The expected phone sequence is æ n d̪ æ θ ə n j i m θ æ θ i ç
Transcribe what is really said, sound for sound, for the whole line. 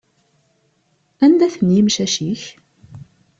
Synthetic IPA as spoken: æ n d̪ æ θ ə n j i m ʃ æ ʃ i ç

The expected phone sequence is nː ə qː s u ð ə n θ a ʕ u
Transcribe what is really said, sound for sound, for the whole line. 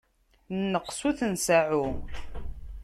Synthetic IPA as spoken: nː ə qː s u θ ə n s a ʕ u

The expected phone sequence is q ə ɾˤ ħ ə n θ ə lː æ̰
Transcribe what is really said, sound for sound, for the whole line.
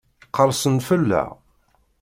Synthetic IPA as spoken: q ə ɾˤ s ə n f ə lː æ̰

